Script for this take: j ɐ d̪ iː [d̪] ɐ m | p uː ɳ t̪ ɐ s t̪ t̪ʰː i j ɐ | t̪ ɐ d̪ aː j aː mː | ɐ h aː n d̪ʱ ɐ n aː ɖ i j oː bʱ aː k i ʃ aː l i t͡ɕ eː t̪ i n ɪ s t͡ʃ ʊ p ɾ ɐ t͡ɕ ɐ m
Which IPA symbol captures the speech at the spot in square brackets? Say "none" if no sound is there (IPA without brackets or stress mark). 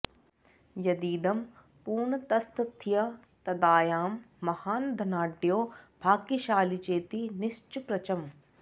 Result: d̪